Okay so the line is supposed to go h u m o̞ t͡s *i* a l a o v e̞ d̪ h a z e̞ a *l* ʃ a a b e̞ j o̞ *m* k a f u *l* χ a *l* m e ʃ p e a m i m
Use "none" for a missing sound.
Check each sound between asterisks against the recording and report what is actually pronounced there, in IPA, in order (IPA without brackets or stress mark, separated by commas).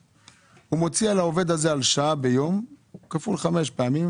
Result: i, l, m, l, none